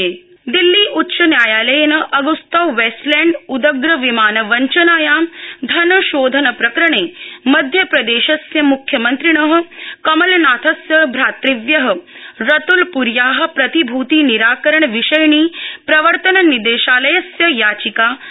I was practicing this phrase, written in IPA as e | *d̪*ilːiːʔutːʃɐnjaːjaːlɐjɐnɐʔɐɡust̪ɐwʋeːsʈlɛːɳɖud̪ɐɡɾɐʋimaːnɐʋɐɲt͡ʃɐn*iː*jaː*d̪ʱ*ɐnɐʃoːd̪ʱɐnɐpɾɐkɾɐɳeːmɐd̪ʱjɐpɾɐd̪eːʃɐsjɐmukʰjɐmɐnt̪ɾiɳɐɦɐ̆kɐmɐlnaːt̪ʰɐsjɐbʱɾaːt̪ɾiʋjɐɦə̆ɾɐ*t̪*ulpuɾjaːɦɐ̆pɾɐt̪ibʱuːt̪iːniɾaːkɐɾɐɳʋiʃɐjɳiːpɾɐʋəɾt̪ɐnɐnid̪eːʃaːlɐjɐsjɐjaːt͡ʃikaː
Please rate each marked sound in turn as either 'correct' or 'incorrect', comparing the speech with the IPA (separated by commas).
correct, incorrect, correct, correct